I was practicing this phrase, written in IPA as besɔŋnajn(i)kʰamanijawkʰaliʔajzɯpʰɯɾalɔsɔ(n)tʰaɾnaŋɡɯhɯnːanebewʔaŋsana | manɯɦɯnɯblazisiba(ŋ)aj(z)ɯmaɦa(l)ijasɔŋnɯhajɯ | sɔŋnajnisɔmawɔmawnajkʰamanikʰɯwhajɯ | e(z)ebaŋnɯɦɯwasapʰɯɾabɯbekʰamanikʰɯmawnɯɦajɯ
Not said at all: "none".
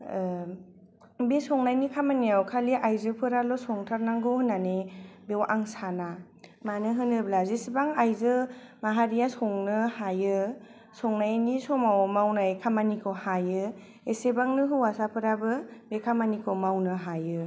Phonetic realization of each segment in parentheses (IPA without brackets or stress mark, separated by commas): i, ŋ, ŋ, z, ɾ, s